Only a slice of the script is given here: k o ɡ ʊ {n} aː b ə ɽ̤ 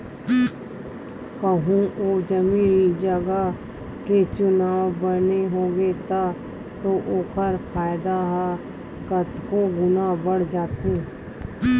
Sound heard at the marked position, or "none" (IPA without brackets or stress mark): n